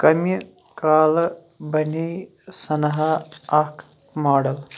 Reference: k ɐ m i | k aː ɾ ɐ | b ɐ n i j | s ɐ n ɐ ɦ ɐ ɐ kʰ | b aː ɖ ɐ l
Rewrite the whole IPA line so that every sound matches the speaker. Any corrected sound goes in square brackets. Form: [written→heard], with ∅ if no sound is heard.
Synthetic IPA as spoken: k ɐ m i | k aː [ɾ→l] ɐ | b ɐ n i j | s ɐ n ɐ ɦ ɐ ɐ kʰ | [b→m] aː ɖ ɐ l

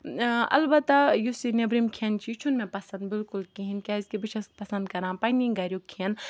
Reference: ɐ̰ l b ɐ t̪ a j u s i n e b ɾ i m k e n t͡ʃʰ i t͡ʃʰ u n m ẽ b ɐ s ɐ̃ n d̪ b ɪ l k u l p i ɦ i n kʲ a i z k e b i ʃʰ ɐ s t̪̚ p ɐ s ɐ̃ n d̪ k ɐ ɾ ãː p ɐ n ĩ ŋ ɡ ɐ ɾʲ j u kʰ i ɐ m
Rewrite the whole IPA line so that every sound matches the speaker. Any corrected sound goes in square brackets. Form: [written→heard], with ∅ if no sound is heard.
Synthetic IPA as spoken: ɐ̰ l b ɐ t̪ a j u s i n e b ɾ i m [k→kʰ] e n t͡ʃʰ i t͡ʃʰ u n m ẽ [b→p] ɐ s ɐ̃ n d̪ b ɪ l k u l [p→k] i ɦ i n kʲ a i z k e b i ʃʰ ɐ s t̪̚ p ɐ s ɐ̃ n d̪ k ɐ ɾ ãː p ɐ n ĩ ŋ ɡ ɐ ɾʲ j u kʰ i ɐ [m→n]

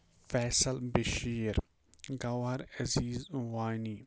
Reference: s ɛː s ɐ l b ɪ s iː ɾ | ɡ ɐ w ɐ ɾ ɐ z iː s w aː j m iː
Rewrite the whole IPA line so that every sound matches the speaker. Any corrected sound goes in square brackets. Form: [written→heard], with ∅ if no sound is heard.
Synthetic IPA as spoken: [s→f] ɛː s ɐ l b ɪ [s→ʃ] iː ɾ | ɡ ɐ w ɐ ɾ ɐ z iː [s→z] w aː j [m→n] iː

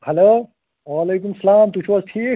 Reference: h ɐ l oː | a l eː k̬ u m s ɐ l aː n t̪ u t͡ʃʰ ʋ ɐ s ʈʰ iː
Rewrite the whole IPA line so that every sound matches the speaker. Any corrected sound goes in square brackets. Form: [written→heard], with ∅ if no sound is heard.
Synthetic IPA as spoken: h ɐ l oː | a l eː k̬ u m s ɐ l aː [n→m] t̪ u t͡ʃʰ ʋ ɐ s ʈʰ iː

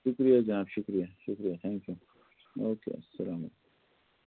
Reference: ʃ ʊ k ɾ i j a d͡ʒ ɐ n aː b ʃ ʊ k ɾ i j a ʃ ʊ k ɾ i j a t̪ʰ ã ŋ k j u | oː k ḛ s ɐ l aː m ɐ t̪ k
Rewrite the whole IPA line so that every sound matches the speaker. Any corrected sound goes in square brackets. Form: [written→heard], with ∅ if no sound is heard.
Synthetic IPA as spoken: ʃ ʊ k ɾ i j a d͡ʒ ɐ n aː b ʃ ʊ k ɾ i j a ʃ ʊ k ɾ i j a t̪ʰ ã ŋ k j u | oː k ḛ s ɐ l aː m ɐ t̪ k

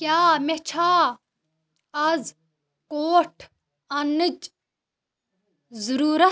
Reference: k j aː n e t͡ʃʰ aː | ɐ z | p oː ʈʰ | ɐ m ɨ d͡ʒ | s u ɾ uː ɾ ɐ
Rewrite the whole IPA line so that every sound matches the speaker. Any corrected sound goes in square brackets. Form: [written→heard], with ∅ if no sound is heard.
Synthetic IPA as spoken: k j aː [n→m] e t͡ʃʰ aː | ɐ z | [p→k] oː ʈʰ | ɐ [m→n] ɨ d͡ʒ | [s→z] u ɾ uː ɾ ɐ

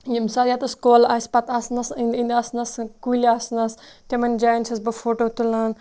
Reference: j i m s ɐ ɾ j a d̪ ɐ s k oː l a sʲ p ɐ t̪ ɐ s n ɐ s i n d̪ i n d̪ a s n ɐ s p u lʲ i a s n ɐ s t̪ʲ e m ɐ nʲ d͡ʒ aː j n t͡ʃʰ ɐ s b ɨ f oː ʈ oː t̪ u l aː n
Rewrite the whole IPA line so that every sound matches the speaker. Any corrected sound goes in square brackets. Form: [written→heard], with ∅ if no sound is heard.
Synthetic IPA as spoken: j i m s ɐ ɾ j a [d̪→t̪] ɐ s k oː l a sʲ p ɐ t̪ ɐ s n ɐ s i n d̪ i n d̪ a s n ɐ s [p→k] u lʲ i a s n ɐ s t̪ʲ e m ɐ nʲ d͡ʒ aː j n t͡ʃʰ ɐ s b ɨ f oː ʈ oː t̪ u l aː n

